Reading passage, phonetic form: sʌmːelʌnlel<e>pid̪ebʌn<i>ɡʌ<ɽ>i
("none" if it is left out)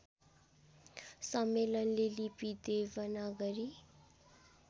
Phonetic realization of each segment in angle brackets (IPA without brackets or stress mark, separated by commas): i, a, ɾ